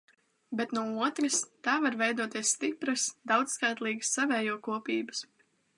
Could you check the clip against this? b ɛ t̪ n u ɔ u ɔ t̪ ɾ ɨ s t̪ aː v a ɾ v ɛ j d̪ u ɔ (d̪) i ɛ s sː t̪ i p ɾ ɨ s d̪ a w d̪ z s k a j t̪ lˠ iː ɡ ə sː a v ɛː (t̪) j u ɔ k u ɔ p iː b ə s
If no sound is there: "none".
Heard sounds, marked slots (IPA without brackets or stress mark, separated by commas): t̪, none